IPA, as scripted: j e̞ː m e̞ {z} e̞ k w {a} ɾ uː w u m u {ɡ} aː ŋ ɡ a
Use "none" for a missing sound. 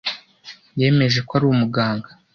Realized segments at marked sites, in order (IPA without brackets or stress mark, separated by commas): ʒ, a, ɡ